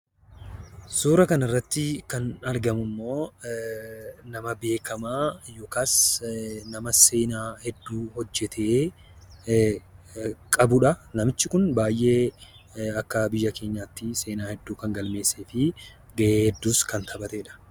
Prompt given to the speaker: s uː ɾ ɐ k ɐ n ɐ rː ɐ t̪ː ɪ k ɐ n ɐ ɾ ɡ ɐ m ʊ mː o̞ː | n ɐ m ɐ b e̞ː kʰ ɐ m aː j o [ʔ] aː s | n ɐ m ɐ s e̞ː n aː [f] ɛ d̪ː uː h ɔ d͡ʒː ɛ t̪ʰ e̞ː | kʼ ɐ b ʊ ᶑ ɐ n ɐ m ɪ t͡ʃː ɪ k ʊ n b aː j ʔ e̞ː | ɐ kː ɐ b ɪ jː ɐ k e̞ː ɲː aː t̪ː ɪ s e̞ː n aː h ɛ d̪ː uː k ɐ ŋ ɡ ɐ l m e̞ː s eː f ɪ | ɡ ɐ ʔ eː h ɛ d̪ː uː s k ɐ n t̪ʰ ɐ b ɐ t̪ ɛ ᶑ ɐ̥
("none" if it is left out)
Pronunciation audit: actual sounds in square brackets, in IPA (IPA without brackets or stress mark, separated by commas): k, h